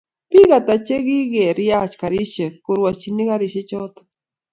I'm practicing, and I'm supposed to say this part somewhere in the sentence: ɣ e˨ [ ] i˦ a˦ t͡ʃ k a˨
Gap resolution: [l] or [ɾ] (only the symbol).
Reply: ɾ